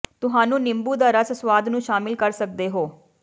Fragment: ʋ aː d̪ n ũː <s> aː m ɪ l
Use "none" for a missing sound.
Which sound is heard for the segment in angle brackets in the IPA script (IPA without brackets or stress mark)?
ʃ